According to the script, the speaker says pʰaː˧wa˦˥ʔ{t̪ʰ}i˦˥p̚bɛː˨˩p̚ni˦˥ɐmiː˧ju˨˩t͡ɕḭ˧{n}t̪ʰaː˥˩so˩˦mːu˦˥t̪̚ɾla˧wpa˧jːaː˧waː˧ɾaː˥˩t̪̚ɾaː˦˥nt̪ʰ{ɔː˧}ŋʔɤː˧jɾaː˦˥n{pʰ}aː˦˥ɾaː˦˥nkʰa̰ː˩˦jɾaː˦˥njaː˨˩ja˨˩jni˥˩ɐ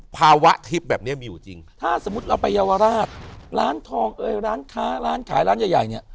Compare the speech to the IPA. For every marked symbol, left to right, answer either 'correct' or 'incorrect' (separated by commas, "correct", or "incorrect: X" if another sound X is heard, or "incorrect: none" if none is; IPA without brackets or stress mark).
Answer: correct, incorrect: ŋ, correct, incorrect: kʰ